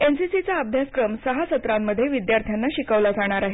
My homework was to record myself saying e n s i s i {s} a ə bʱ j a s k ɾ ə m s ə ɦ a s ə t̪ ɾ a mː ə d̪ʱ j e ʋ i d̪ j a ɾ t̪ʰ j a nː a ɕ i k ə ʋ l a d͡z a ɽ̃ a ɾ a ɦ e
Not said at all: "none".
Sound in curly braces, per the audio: t͡s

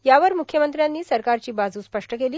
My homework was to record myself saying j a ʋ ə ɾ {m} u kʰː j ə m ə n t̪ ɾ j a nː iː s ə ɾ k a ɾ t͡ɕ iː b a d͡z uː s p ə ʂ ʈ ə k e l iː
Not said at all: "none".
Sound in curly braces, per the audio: m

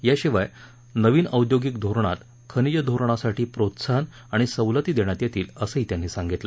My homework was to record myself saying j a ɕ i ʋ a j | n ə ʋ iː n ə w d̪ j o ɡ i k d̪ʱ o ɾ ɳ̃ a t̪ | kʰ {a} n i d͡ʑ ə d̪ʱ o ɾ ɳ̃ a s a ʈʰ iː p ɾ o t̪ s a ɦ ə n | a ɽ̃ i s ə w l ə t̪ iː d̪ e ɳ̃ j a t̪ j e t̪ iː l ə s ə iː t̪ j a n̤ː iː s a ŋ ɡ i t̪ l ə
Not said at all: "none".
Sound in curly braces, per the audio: ə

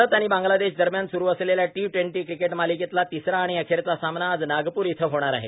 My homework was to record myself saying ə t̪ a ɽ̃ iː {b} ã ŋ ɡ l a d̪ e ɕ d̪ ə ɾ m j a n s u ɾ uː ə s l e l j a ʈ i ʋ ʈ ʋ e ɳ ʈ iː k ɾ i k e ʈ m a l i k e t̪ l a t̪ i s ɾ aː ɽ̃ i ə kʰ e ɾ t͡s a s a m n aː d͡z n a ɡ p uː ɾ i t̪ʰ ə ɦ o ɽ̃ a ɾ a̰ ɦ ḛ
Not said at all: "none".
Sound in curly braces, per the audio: b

